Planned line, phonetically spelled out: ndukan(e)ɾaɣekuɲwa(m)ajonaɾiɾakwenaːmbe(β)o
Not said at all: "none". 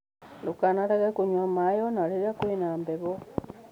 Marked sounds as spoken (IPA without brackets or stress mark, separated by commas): a, m, β